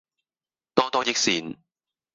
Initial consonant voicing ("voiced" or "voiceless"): voiceless